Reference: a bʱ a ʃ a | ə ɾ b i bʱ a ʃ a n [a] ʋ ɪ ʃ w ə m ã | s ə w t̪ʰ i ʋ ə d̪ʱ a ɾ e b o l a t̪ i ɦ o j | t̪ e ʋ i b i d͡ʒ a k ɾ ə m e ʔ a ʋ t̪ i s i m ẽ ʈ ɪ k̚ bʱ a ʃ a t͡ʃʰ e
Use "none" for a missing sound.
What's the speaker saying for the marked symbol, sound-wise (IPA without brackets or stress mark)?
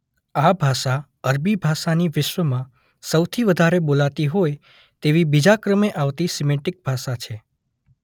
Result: i